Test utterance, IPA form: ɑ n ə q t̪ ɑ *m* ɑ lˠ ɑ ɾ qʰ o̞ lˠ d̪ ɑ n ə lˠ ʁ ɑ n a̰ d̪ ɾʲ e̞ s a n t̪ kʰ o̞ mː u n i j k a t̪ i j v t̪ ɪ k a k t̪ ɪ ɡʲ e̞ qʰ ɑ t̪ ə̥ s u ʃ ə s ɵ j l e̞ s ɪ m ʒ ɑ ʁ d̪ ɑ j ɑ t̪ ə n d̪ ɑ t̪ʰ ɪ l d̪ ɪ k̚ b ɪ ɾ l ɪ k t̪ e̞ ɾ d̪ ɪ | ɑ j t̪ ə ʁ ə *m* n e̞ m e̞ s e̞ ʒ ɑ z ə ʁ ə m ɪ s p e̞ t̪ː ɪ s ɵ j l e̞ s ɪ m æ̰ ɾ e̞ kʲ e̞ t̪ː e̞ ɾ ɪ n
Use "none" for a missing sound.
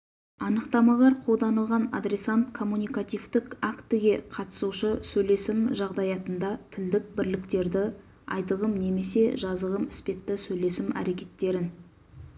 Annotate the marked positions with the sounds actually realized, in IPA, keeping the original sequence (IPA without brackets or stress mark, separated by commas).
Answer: m, m